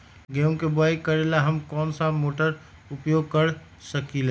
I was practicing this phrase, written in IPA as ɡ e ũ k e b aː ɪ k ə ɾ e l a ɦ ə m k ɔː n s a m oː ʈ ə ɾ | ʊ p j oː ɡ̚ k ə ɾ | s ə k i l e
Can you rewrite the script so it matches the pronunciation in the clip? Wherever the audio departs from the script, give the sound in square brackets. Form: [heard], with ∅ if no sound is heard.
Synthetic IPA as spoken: ɡ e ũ k e b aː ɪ k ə ɾ e l a ɦ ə m k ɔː n s a m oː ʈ ə ɾ | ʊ p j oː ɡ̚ k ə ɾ | s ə k i l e